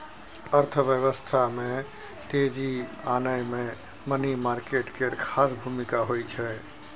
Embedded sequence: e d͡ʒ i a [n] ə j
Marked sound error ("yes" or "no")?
no